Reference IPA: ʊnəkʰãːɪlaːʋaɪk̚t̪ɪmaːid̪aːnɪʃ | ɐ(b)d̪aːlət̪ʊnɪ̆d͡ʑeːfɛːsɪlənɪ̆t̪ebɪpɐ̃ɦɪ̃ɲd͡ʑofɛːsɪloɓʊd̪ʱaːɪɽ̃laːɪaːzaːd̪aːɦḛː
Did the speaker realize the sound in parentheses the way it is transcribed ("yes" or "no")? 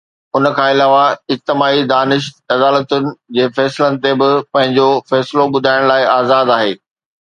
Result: no